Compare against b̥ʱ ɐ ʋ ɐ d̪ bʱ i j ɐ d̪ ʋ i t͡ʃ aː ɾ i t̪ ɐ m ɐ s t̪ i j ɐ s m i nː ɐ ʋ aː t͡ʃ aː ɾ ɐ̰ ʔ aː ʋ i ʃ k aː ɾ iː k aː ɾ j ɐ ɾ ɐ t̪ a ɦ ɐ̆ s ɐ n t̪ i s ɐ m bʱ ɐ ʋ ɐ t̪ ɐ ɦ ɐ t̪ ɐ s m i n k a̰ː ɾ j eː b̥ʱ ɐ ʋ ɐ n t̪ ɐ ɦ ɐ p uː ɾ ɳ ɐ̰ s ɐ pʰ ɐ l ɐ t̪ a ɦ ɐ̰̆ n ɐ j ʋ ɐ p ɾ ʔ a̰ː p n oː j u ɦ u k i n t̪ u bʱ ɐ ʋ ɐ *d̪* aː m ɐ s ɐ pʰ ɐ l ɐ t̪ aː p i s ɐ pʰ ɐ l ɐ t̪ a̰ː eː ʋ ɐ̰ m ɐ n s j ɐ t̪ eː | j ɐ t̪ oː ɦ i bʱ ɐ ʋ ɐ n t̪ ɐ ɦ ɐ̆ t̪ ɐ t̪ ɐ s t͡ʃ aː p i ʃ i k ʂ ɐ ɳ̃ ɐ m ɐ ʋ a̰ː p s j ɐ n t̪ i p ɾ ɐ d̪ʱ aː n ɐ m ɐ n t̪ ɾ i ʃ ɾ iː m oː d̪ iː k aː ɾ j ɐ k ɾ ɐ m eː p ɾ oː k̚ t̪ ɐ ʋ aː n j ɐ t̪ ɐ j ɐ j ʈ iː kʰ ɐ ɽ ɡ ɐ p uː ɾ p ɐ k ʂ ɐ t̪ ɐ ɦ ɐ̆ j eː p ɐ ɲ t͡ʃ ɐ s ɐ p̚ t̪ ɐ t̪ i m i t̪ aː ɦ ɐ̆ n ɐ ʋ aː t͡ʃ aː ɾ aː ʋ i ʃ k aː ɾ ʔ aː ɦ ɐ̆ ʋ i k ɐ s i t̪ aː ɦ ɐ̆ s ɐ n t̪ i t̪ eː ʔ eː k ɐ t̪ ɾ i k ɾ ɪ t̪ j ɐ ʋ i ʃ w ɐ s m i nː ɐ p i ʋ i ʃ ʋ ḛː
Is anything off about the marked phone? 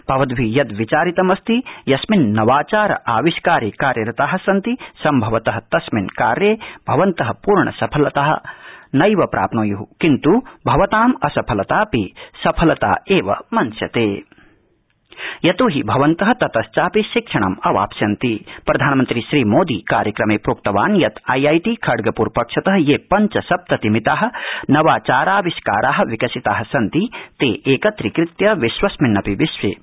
yes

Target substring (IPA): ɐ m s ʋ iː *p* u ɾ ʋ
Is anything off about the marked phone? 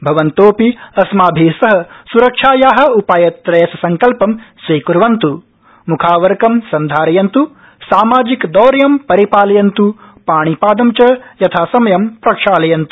yes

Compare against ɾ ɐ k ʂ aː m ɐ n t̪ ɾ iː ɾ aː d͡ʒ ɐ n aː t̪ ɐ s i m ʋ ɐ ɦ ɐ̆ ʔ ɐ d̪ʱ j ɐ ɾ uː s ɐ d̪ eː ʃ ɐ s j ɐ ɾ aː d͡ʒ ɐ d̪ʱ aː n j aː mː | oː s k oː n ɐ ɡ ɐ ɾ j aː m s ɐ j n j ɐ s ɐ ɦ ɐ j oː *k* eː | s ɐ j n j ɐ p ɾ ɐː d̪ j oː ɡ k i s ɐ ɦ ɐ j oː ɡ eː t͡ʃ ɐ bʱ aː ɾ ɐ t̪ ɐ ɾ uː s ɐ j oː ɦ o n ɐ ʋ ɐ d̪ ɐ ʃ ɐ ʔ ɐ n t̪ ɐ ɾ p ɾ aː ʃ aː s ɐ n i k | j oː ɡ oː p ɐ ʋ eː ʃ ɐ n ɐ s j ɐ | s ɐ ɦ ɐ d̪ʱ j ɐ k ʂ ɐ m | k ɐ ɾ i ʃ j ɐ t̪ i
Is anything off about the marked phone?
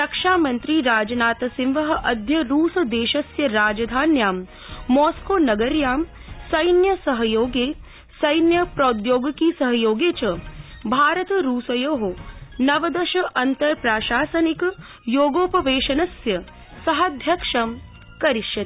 yes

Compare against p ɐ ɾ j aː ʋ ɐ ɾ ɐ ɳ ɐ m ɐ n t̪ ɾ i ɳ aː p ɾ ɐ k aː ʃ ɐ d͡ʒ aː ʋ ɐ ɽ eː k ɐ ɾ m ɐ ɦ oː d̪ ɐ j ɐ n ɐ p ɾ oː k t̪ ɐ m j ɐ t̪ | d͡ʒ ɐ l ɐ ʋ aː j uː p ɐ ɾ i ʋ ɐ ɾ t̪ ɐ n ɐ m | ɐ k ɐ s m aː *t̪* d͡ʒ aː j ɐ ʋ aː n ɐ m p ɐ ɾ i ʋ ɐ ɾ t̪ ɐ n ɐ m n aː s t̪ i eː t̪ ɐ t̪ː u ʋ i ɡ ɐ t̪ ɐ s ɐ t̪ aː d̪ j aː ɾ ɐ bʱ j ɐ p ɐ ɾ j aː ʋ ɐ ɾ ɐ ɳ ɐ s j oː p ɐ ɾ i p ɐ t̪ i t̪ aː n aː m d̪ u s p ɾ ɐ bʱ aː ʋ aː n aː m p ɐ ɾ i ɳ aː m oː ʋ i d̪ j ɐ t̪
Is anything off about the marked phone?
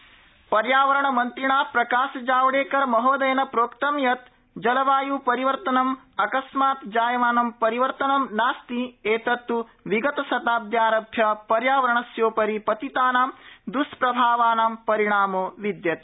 no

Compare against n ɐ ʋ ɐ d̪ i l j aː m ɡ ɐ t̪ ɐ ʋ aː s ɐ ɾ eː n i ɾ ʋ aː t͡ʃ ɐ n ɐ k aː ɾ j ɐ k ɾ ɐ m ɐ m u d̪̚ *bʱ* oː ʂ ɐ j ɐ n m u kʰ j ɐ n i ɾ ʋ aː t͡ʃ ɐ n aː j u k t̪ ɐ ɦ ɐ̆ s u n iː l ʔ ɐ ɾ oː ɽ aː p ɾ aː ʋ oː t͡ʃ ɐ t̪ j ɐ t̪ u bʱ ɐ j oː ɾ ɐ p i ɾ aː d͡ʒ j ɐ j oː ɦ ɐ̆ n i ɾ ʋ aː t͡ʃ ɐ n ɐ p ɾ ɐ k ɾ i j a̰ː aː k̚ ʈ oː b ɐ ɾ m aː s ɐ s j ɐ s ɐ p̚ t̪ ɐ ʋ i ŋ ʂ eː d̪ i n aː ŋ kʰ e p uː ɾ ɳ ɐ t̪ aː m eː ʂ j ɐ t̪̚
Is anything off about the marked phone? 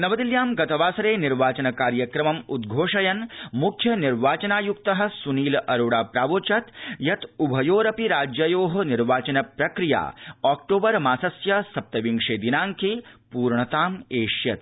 yes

